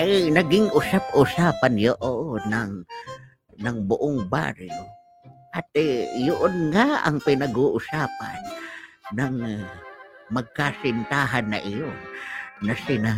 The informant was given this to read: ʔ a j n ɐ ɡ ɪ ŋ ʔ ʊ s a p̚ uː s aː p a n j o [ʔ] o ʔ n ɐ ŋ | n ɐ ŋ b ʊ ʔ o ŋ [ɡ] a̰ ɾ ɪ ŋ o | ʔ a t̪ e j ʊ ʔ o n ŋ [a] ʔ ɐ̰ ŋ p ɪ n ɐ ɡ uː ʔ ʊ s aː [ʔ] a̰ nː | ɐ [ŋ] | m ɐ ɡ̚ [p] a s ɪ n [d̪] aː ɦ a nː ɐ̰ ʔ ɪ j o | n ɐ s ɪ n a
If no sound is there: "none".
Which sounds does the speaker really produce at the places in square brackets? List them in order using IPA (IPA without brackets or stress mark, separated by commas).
ʔ, b, a, p, ŋ, k, t̪